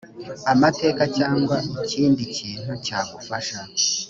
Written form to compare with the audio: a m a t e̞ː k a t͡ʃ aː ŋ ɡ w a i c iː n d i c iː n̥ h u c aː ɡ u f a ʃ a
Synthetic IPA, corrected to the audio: a m a t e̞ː k a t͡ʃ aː ŋ ɡ w a i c iː n d i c iː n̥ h u c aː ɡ u f a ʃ a